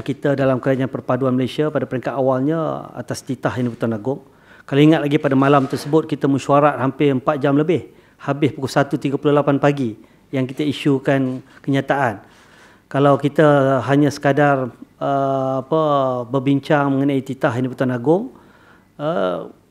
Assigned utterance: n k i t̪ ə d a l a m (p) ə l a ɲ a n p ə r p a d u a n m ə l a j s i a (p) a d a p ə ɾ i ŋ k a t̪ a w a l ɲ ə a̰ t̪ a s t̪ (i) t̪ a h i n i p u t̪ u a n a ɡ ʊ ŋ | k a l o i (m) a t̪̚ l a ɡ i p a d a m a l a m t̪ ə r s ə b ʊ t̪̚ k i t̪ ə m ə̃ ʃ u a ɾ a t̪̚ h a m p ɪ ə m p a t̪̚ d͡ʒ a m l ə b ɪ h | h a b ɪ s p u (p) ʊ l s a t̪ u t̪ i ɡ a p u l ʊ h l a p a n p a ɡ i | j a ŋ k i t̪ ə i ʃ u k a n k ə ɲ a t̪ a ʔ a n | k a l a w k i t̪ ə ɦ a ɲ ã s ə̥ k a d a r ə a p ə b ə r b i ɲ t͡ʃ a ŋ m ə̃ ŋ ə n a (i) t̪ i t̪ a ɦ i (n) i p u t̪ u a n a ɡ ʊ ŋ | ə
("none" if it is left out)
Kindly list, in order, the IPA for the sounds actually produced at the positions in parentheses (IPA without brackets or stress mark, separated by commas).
k, p, i, ŋ, k, i, n